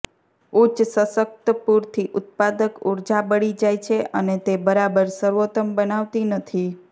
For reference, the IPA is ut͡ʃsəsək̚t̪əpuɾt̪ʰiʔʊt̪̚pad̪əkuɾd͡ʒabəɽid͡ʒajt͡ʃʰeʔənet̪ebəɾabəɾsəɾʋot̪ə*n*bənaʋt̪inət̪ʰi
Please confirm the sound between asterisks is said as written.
no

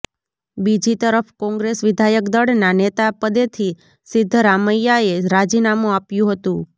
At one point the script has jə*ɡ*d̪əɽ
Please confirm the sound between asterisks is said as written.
no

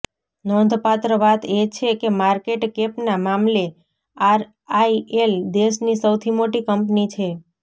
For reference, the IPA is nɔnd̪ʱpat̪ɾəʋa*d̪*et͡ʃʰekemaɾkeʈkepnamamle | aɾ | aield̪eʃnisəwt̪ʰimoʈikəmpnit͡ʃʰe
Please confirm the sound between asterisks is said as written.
no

